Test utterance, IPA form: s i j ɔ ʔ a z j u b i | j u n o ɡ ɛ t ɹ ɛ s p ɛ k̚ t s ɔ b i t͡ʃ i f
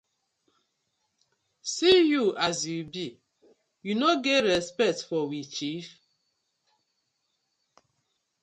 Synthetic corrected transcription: s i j u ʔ a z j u b i | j u n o ɡ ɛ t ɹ ɛ s p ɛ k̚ t f ɔ w i t͡ʃ i f